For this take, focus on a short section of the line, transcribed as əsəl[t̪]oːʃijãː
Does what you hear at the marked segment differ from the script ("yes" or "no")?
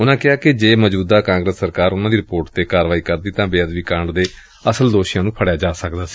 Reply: yes